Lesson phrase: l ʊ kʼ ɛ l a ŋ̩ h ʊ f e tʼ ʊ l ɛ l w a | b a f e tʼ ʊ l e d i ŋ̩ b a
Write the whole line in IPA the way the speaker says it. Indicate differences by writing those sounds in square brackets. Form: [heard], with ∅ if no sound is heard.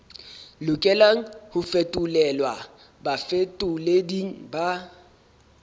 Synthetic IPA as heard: l ʊ kʼ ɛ l a ŋ̩ h ʊ f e tʼ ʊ l ɛ l w a | b a f e tʼ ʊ l e d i ŋ̩ b a

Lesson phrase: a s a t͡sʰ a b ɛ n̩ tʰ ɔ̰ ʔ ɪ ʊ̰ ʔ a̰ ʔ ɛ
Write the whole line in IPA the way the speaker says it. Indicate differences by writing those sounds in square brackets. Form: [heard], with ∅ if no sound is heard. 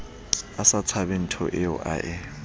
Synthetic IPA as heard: a s a t͡sʰ a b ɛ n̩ tʰ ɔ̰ ʔ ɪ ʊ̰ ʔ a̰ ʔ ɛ

